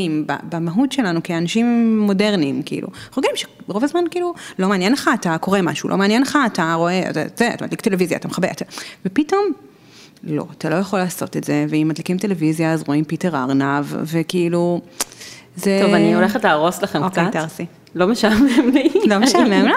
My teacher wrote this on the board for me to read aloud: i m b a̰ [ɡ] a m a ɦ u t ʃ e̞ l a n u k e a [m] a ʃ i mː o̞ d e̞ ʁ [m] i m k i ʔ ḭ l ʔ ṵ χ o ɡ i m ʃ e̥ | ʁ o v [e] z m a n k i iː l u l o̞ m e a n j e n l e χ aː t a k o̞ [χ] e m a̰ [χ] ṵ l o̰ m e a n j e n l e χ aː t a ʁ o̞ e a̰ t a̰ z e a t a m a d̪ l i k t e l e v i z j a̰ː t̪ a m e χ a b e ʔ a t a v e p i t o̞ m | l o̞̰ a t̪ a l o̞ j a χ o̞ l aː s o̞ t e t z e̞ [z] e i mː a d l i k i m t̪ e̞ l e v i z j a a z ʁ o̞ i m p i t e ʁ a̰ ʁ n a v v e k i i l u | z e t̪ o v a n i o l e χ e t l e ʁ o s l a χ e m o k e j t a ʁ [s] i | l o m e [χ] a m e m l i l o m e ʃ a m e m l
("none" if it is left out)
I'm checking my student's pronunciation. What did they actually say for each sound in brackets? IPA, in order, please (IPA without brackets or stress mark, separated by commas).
b, n, n, a, ʁ, ʃ, v, s, ʃ